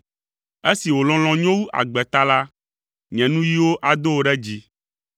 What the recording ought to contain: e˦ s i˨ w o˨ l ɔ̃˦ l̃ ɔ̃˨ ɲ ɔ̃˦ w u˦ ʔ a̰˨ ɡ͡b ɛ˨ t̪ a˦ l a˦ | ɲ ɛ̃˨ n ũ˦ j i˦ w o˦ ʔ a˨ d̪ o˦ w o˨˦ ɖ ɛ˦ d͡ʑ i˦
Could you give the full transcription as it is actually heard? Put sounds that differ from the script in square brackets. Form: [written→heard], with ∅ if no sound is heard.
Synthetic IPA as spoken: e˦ s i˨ w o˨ l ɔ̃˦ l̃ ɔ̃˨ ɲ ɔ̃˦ w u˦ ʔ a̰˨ ɡ͡b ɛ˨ t̪ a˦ l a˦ | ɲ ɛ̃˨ n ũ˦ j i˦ w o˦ ʔ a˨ d̪ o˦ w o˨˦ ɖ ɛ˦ d͡ʑ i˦

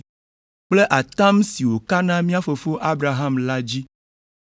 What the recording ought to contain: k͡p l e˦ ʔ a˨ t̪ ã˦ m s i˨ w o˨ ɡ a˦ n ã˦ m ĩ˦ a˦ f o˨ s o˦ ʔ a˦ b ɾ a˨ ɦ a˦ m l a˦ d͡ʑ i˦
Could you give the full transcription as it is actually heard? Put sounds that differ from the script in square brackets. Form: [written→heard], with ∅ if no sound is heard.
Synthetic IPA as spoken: k͡p l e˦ ʔ a˨ t̪ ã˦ m s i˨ w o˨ [ɡ→k] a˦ n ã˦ m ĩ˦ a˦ f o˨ [s→f] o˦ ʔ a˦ b ɾ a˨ ɦ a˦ m l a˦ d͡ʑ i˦

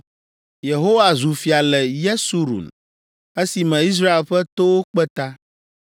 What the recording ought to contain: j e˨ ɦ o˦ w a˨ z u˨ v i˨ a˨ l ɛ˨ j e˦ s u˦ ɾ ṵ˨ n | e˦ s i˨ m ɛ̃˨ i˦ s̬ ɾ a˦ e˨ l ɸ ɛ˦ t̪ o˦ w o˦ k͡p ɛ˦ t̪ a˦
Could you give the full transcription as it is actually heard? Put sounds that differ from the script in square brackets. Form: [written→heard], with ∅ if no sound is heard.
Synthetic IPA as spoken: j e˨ ɦ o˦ w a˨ z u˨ [v→f] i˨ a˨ l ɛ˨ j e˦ s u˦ ɾ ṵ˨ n | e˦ s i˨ m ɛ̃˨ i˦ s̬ ɾ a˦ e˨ l ɸ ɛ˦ t̪ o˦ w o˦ k͡p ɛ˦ t̪ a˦

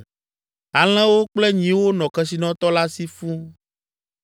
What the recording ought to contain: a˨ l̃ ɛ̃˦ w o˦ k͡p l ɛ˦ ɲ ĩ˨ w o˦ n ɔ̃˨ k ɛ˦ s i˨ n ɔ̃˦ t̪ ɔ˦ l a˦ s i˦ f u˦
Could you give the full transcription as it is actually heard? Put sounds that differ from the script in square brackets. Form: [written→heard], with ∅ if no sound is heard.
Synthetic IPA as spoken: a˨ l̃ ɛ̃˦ w o˦ k͡p l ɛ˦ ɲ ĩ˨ w o˦ n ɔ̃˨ k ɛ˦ s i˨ n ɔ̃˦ t̪ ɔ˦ l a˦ s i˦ f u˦

